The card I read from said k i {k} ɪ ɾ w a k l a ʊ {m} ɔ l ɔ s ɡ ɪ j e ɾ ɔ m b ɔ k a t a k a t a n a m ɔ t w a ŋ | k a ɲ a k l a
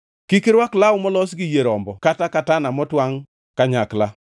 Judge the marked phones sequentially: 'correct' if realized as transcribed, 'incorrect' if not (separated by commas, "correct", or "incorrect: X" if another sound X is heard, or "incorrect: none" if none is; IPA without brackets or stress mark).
correct, correct